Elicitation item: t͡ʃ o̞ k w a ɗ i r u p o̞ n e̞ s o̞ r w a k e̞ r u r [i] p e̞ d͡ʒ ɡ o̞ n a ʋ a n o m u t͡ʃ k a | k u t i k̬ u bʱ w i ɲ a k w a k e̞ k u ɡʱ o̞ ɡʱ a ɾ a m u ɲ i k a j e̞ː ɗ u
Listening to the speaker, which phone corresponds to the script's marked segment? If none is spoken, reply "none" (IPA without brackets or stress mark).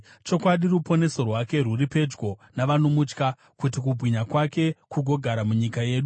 i